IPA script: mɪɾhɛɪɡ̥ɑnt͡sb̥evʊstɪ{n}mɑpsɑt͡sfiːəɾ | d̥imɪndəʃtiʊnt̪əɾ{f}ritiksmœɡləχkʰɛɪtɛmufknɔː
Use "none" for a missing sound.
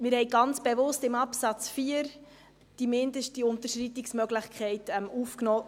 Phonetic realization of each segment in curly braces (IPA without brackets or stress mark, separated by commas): none, ʃ